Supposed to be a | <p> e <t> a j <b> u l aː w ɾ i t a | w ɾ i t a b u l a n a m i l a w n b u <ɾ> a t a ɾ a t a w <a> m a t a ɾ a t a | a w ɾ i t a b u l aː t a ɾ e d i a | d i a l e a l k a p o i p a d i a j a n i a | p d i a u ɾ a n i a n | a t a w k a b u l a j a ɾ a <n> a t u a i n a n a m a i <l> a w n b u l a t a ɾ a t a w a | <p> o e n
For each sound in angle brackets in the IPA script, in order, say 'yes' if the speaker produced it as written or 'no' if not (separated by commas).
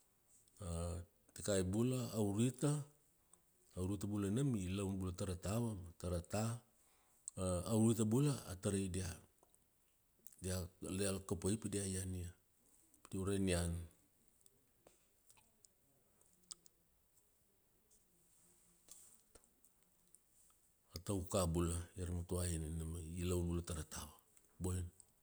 no, no, yes, no, yes, no, yes, no